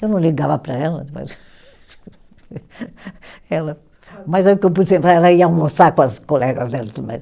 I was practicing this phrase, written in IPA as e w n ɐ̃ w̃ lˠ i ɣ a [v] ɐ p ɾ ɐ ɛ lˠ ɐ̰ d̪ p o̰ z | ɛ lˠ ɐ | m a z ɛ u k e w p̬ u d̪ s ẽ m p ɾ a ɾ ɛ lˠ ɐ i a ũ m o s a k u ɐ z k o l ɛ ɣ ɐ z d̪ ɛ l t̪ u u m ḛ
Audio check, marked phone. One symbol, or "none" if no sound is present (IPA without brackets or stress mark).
v